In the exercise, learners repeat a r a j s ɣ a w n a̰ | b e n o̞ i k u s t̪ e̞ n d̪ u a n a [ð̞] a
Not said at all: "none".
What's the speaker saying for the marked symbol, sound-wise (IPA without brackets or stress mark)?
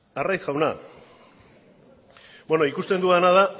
ð̞